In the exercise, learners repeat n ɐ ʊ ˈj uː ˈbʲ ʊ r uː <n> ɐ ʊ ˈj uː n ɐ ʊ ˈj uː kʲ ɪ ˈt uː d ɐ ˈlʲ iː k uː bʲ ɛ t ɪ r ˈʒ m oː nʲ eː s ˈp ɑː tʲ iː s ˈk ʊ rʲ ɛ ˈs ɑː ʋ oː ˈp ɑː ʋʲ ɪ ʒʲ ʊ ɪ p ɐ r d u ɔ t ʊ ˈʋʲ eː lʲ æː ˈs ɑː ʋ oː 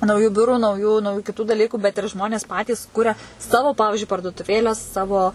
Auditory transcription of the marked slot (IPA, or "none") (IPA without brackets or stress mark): n